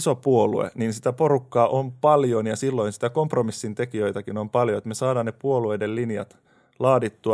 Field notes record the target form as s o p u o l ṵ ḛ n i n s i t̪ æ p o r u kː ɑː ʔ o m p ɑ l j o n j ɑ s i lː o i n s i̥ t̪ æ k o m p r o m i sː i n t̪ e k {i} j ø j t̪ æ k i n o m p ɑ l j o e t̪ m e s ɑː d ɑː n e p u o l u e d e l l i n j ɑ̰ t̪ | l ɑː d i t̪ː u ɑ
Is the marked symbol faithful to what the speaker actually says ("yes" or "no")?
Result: yes